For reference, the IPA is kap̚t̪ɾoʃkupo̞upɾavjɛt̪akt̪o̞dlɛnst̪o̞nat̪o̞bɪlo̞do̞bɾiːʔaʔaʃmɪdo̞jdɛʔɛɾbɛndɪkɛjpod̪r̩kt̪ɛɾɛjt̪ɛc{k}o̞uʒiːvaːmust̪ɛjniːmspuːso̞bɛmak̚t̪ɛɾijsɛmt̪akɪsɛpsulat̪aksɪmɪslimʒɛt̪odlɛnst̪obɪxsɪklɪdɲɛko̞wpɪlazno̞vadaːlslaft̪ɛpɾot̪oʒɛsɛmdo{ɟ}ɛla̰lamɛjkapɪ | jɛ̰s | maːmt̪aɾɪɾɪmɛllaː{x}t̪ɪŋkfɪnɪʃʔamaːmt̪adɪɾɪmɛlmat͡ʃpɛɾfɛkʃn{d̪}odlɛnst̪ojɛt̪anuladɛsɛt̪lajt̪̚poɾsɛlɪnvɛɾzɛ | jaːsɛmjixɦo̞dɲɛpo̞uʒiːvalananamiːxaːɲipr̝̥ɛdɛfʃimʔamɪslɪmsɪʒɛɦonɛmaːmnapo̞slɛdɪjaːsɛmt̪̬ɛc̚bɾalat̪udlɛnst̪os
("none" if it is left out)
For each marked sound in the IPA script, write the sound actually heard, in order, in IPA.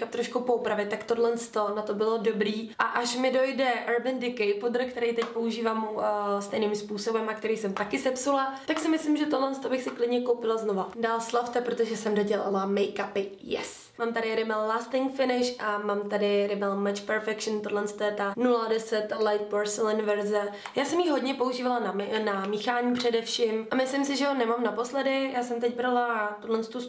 p, ɟ, s, t̪

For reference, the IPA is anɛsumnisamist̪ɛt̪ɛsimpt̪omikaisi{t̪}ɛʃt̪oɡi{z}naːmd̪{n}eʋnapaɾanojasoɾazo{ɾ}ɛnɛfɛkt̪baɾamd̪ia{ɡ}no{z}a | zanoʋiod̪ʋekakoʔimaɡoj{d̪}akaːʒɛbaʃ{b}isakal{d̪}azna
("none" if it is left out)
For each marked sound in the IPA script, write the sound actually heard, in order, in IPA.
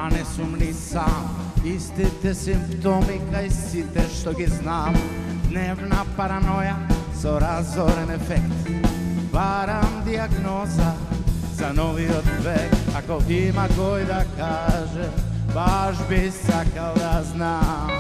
t̪, z, n, ɾ, ɡ, z, d̪, b, d̪

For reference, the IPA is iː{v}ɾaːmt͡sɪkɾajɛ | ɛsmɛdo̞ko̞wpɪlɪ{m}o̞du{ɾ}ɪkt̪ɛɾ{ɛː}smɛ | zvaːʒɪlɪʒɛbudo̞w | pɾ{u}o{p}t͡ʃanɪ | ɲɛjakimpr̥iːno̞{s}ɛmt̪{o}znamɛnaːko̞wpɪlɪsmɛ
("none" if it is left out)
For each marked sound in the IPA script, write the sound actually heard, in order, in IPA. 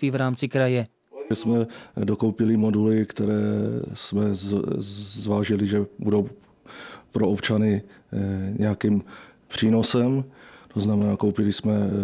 v, m, l, ɛː, o, p, s, o

